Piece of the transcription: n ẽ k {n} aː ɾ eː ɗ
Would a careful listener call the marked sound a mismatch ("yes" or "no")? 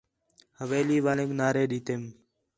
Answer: no